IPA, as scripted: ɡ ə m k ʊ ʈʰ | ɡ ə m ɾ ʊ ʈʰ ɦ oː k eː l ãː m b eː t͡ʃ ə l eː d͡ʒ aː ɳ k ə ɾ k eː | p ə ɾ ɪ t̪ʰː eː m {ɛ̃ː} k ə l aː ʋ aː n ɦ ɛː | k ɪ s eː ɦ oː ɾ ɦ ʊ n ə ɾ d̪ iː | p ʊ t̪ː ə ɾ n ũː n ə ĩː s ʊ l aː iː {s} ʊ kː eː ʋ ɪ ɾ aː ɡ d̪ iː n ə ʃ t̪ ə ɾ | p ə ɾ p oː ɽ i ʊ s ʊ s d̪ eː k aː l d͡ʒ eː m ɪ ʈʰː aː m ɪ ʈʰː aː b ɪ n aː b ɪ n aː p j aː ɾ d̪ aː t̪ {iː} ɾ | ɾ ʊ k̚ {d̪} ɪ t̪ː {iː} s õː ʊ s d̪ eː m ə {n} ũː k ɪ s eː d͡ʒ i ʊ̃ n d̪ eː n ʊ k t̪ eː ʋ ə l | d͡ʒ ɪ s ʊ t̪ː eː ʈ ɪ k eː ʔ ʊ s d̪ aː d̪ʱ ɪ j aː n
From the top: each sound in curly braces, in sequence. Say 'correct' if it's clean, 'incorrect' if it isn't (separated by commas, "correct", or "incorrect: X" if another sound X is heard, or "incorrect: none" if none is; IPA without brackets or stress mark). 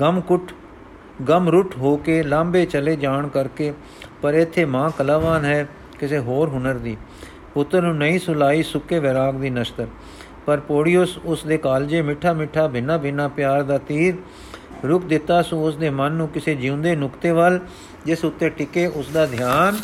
incorrect: ãː, correct, correct, correct, incorrect: aː, incorrect: nː